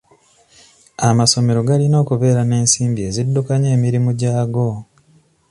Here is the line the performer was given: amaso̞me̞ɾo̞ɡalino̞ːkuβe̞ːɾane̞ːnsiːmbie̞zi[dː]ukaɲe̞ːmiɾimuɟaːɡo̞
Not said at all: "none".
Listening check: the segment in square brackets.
dː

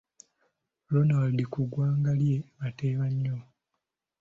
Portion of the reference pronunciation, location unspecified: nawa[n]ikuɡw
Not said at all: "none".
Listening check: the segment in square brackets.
d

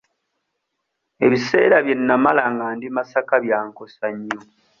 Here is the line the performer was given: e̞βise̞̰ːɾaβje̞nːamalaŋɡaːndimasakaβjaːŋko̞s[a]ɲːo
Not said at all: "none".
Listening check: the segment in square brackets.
a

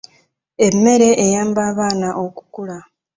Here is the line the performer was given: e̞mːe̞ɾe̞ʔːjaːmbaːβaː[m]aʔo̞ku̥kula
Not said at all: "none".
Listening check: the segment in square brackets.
n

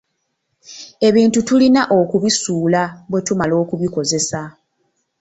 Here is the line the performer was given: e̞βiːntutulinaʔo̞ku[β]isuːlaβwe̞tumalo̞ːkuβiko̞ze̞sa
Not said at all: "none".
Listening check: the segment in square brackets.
β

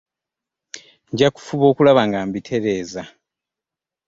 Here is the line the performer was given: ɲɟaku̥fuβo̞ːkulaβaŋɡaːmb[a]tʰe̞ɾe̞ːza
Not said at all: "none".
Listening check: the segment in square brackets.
i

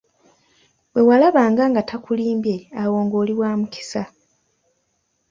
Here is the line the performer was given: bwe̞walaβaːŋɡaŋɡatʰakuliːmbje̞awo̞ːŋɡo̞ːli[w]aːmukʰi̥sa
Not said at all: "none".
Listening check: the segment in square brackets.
w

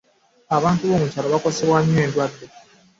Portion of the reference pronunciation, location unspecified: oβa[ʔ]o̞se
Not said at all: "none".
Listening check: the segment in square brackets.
k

